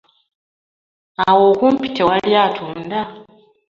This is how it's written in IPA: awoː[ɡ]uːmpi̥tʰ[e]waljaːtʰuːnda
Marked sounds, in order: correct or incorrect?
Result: incorrect: k, correct

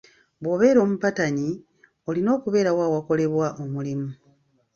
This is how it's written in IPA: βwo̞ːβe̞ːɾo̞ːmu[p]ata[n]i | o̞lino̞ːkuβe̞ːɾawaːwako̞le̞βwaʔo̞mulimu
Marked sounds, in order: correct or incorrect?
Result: correct, incorrect: ɲ

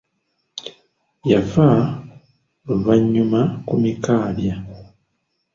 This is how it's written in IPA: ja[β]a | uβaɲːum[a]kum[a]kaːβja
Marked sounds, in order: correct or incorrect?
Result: incorrect: v, correct, incorrect: i

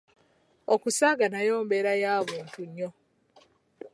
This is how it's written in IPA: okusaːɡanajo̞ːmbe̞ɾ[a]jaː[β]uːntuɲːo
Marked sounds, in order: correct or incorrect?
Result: correct, correct

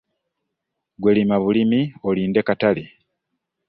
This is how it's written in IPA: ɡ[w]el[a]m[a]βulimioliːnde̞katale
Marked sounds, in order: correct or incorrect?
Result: correct, incorrect: i, correct

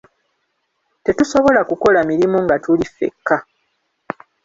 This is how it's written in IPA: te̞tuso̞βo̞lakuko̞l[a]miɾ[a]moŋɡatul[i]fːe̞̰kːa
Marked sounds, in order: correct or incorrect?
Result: correct, incorrect: i, correct

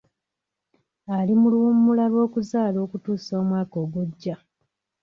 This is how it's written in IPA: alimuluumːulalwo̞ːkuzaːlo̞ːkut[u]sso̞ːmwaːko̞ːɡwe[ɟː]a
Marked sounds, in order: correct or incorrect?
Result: incorrect: uː, correct

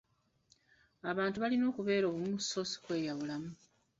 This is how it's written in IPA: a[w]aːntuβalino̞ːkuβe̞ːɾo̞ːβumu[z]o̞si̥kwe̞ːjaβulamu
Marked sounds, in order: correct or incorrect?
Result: incorrect: β, incorrect: s

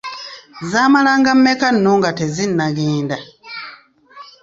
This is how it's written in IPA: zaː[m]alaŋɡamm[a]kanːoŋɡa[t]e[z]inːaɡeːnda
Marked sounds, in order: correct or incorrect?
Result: correct, incorrect: e, correct, correct

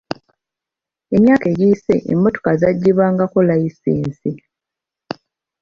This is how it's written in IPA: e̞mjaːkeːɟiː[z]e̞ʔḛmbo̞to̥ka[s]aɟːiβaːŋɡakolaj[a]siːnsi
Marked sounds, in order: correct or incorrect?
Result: incorrect: s, incorrect: z, incorrect: i

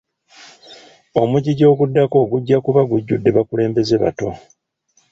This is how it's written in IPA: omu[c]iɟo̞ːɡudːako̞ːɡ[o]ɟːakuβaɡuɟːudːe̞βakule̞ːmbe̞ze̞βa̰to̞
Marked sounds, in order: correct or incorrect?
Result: incorrect: ɟ, incorrect: u

